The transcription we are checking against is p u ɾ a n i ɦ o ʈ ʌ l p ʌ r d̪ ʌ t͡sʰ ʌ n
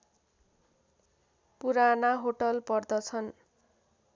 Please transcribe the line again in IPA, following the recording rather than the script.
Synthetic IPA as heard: p u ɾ a n a ɦ o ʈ ʌ l p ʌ r d̪ ʌ t͡sʰ ʌ n